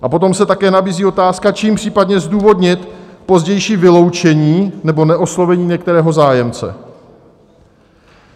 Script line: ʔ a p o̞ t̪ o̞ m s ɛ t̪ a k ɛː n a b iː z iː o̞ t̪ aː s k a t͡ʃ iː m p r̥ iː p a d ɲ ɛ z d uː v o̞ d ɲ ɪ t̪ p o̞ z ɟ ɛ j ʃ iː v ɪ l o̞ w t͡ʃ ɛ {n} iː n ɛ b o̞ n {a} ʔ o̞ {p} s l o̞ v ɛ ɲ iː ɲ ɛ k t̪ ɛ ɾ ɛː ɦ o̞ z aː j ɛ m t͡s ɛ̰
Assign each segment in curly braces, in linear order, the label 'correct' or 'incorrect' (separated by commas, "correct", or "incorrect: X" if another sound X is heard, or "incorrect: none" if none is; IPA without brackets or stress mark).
incorrect: ɲ, incorrect: ɛ, incorrect: none